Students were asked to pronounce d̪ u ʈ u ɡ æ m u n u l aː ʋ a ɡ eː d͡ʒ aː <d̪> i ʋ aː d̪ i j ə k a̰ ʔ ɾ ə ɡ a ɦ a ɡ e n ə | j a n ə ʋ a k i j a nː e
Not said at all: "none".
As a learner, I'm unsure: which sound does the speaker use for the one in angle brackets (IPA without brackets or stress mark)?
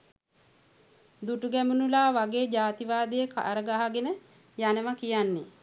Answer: t̪